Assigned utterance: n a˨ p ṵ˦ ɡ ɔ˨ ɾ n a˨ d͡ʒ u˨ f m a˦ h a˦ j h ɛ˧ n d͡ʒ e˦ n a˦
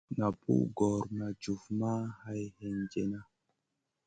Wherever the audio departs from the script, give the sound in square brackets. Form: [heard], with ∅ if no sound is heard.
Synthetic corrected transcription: n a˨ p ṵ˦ ɡ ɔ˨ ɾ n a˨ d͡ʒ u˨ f m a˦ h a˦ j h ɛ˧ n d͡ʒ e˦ n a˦